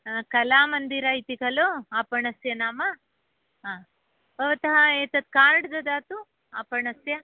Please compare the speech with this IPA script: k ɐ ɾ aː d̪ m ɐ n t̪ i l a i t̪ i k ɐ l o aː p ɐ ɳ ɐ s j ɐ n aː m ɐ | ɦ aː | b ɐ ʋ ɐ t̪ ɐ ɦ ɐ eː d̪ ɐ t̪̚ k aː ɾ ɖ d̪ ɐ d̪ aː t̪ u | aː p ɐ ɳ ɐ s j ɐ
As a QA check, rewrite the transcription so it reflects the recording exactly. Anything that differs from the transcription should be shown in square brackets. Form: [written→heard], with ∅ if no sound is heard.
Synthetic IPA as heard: k ɐ [ɾ→l] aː [d̪→∅] m ɐ n [t̪→d̪] i [l→ɾ] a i t̪ i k ɐ l o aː p ɐ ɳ ɐ s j ɐ n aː m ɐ | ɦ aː | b ɐ ʋ ɐ t̪ ɐ ɦ ɐ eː [d̪→t̪] ɐ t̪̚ k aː ɾ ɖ d̪ ɐ d̪ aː t̪ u | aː p ɐ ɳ ɐ s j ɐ